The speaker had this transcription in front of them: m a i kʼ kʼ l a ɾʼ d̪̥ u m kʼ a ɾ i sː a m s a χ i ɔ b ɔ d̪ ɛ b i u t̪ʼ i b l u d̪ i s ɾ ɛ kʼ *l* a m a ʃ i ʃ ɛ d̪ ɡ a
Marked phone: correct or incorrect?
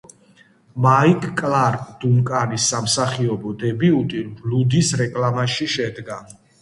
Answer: correct